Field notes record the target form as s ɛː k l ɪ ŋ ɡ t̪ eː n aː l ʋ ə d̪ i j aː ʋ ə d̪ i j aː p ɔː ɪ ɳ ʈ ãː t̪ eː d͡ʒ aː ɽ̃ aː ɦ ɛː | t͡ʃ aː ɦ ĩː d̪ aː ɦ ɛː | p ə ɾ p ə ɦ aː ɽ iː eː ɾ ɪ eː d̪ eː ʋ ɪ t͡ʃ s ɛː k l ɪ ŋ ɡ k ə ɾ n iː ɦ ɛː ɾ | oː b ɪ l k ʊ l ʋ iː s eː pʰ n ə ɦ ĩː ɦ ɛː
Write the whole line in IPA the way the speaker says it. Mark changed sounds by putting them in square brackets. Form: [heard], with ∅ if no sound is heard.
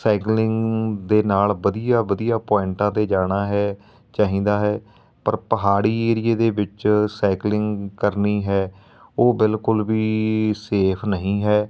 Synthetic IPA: s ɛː k l ɪ ŋ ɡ [d̪] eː n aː l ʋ ə d̪ i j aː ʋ ə d̪ i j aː p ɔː ɪ ɳ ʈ ãː t̪ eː d͡ʒ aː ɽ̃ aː ɦ ɛː | t͡ʃ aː ɦ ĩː d̪ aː ɦ ɛː | p ə ɾ p ə ɦ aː ɽ iː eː ɾ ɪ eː d̪ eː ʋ ɪ t͡ʃ s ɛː k l ɪ ŋ ɡ k ə ɾ n iː ɦ ɛː [∅] | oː b ɪ l k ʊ l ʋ iː s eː pʰ n ə ɦ ĩː ɦ ɛː